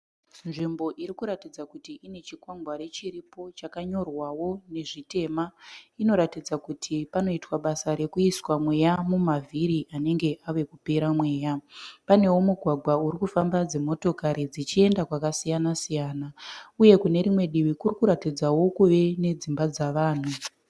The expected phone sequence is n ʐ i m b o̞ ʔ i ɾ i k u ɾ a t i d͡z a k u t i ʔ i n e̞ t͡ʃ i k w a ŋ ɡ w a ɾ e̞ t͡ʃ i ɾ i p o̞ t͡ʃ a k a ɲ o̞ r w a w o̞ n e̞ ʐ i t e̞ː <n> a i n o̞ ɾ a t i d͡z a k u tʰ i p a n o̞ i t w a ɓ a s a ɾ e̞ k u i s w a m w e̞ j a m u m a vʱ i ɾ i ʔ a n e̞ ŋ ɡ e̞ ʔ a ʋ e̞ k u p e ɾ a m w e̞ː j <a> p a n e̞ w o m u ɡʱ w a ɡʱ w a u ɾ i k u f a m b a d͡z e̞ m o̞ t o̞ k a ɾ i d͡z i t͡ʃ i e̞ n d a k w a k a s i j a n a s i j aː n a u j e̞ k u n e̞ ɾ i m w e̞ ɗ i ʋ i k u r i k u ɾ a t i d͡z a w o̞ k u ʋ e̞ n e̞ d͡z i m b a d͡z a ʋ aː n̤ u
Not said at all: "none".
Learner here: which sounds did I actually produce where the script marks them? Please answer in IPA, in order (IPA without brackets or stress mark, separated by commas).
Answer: m, a